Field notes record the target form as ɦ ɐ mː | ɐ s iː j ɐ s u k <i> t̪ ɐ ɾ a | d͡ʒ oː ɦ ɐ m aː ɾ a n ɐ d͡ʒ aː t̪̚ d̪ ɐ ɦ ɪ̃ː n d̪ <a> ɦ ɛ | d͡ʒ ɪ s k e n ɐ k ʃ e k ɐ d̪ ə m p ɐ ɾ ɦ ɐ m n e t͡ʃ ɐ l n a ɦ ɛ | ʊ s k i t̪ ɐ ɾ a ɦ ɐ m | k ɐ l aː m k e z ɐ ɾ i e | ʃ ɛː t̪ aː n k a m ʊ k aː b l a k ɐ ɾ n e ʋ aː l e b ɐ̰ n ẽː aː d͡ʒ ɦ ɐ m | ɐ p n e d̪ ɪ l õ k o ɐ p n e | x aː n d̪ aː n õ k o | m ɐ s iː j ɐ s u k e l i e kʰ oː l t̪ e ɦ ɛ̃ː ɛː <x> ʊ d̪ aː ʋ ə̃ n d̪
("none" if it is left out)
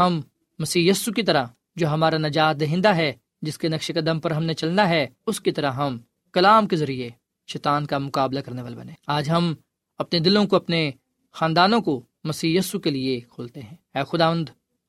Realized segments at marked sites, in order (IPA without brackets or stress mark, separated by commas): i, a, x